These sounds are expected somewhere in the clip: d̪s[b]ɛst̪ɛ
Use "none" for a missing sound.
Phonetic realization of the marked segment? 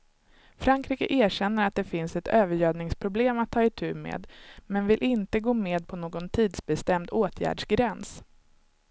b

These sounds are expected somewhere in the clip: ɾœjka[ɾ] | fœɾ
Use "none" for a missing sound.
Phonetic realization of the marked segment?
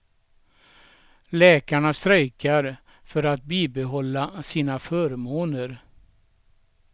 ɾ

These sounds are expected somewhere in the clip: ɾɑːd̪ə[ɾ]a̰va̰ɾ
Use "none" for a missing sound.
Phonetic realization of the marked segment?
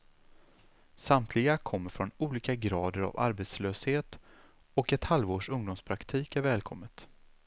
ɾ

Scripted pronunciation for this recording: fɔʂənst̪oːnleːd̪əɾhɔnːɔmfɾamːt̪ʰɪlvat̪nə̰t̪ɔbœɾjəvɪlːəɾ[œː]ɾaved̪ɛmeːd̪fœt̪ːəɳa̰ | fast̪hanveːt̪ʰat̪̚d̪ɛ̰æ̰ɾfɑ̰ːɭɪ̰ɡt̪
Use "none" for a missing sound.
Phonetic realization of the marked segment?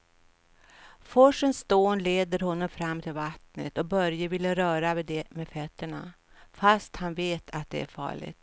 œː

